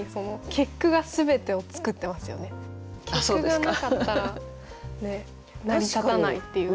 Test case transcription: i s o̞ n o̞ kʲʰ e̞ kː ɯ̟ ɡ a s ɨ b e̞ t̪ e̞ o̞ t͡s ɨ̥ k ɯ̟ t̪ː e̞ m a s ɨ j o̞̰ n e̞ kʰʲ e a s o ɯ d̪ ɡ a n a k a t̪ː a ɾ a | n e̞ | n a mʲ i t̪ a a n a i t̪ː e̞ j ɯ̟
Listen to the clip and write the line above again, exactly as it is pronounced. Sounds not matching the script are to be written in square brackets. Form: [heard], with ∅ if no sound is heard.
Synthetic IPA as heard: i s o̞ n o̞ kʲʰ e̞ kː ɯ̟ ɡ a s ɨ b e̞ t̪ e̞ o̞ t͡s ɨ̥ k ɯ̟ t̪ː e̞ m a s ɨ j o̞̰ n e̞ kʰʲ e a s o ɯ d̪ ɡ a n a k a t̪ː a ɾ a | n e̞ | n a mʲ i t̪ a a n a i t̪ː e̞ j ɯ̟